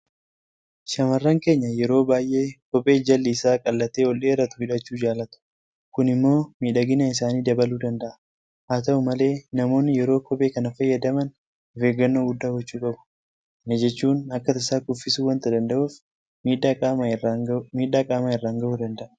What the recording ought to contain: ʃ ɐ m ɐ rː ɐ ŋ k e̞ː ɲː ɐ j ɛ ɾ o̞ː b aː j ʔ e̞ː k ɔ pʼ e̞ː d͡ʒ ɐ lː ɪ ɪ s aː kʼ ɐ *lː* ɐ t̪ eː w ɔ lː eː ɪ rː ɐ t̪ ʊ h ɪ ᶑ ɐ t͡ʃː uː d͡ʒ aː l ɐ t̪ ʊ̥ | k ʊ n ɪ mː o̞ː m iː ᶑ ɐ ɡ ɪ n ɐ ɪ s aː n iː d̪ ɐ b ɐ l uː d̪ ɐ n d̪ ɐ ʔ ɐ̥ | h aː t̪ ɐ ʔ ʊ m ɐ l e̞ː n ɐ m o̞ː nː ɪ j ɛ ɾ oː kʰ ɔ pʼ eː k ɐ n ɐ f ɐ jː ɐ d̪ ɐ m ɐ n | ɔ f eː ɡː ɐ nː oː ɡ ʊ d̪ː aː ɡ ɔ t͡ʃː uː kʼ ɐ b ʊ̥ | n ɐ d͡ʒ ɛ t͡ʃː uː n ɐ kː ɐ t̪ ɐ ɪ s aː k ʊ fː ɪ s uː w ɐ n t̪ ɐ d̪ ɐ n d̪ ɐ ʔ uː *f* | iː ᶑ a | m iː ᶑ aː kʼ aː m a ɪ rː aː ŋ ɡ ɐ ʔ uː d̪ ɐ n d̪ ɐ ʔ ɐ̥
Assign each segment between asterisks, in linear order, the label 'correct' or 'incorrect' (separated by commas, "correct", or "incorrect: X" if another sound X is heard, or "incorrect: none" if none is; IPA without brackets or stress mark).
correct, correct